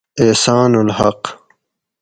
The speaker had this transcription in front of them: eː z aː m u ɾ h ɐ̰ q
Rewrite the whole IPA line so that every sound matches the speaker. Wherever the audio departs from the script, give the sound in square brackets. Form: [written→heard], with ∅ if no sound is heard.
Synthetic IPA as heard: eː [z→s] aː [m→n] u [ɾ→l] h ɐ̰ q